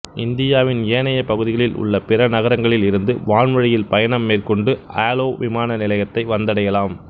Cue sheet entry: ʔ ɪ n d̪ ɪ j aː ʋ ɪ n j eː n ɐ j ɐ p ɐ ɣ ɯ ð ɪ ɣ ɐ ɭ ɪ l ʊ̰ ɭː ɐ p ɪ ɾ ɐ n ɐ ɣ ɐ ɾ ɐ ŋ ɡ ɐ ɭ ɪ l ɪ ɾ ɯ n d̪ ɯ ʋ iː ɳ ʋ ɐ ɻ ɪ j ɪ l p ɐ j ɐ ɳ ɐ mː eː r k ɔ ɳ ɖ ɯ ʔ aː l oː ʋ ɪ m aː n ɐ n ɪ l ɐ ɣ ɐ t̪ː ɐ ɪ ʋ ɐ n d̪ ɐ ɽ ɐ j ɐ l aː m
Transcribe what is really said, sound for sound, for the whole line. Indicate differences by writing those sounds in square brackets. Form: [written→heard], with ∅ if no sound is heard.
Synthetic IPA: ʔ ɪ n d̪ ɪ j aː ʋ ɪ n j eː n ɐ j ɐ p ɐ ɣ ɯ ð ɪ ɣ ɐ ɭ ɪ l ʊ̰ ɭː ɐ p ɪ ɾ ɐ n ɐ ɣ ɐ ɾ ɐ ŋ ɡ ɐ ɭ ɪ l ɪ ɾ ɯ n d̪ ɯ ʋ [iː→aː] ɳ ʋ ɐ ɻ ɪ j ɪ l p ɐ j ɐ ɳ ɐ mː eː r k ɔ ɳ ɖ ɯ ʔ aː l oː ʋ ɪ m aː n ɐ n ɪ l ɐ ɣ ɐ t̪ː ɐ ɪ ʋ ɐ n d̪ ɐ ɽ ɐ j ɐ l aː m